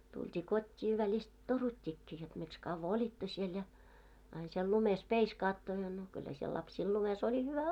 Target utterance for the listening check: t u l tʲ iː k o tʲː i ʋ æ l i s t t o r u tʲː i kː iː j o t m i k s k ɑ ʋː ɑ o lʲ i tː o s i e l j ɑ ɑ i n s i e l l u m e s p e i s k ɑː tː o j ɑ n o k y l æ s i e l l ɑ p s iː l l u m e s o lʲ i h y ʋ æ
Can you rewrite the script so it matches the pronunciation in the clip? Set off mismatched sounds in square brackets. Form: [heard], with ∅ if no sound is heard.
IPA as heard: t u l tʲ iː k o tʲː [iː] ʋ æ l i s t t o r u tʲː i kː iː j o t m i k s k ɑ ʋː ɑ o lʲ i tː o s i e l j ɑ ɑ i n s i e l l u m e s p e i s k ɑː tː o j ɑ n o k y [lː] æ s i e l l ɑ p s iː l l u m e s o lʲ i h y ʋ æ

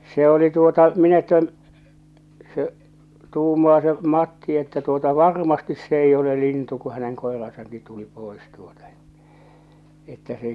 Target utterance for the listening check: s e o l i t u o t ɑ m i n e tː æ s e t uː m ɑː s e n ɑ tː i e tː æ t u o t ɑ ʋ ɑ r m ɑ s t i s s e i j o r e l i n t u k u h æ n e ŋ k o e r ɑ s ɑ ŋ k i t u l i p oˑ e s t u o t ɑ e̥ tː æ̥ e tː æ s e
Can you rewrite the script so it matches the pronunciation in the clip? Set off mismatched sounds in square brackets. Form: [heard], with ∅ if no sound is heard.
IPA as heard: s e o l i t u o t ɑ m i n e tː æ s e t uː m ɑː s e [m] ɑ tː i e tː æ t u o t ɑ ʋ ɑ r m ɑ s t i s s e i j o [l] e l i n t u k u h æ n e ŋ k o e r ɑ s ɑ ŋ k i t u l i p oˑ e s t u o t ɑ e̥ tː æ̥ e tː æ s e

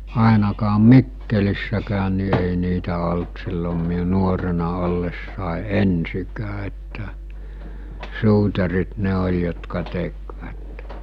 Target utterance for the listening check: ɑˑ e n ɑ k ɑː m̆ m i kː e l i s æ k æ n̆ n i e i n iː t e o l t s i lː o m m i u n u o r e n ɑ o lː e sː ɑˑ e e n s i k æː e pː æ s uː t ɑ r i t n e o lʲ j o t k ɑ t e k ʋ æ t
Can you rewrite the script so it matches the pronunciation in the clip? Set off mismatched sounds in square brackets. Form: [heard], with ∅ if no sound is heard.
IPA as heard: ɑˑ e n ɑ k ɑː m̆ m i kː e l i [sː] æ k [æː] n̆ n i e i n iː t [æ] o l t s i lː o m m i u n u o r e n ɑ o lː e sː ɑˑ e e n s i k æː e [tː] æ s uː t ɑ r i t n e o lʲ j o t k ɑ t e k ʋ æ t

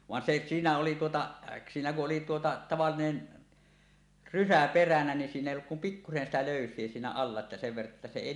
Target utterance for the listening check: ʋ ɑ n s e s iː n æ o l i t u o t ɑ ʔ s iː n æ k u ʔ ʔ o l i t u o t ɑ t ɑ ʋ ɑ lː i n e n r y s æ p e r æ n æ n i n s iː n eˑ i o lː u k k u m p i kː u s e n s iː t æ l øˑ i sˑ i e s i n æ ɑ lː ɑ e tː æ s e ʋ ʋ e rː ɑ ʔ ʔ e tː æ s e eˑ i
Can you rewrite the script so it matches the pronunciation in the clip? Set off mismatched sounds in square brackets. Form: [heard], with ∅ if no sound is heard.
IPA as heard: ʋ ɑ n s e s iː n æ o l i t u o t ɑ ʔ s iː n æ k u ʔ ʔ o l i t u o t ɑ t ɑ ʋ ɑ lː i n e n r y s æ p e r æ n æ n i n s iː n eˑ i o lː u k k u m p i kː u s e n s [i] t æ l øˑ [y] sˑ i e s [iː] n æ ɑ lː ɑ e tː æ s e ʋ ʋ e rː ɑ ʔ ʔ e tː æ s e eˑ i

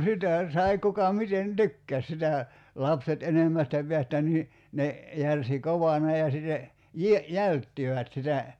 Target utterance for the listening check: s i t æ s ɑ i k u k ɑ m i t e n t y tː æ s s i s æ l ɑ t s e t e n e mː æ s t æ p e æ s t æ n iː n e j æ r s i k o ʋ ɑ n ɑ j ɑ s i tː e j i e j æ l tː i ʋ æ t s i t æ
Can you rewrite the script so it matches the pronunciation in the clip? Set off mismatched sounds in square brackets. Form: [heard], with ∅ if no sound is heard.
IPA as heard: s i t æ s ɑ i k u k ɑ m i t e n t y [kː] æ s s i [t] æ l ɑ [p] s e t e n e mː æ s t æ p e æ s t æ n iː n e j æ r s i k o ʋ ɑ n ɑ j ɑ s i tː e j i e j æ l tː i ʋ æ t s i t æ

